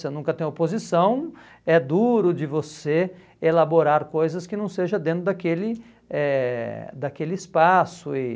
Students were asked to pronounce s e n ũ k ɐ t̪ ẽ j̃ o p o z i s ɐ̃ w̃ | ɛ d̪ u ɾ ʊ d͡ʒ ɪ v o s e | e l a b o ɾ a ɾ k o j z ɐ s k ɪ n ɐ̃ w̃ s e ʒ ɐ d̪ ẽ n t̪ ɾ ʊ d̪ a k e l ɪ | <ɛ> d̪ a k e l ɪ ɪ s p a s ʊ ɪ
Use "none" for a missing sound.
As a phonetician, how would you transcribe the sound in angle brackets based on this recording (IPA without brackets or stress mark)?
ɛ